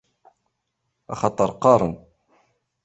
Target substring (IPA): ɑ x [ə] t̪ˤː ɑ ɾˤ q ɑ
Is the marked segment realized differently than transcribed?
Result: yes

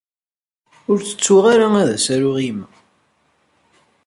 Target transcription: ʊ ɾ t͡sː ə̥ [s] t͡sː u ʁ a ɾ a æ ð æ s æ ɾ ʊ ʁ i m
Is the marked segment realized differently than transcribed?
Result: yes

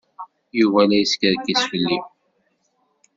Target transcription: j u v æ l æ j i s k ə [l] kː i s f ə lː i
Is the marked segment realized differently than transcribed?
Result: yes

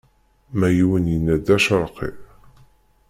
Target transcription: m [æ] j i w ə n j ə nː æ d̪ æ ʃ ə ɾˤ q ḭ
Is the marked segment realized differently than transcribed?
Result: no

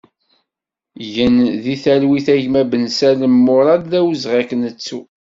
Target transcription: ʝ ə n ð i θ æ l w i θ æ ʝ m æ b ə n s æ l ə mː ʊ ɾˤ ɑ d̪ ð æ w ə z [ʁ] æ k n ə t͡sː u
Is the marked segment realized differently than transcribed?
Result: no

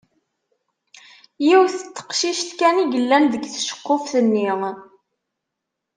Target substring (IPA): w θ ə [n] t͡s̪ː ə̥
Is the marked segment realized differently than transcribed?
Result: yes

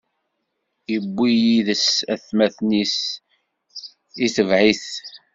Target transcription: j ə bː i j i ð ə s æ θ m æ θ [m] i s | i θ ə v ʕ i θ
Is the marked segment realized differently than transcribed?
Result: yes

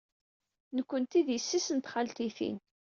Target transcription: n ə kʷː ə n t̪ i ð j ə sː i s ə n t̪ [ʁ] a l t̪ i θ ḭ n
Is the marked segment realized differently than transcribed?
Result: yes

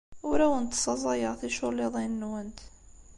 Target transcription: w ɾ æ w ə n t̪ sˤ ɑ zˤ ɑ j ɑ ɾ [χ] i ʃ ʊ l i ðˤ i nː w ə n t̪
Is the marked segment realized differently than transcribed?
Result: yes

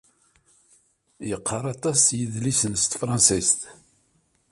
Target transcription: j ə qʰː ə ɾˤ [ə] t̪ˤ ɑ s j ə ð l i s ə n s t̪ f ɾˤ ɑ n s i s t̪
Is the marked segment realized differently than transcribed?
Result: yes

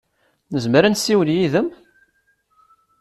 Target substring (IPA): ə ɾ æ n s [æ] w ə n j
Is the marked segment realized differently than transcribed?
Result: yes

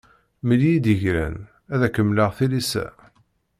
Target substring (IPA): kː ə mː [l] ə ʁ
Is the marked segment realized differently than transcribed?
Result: no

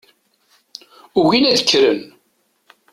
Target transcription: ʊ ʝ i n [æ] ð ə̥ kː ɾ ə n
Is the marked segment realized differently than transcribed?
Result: no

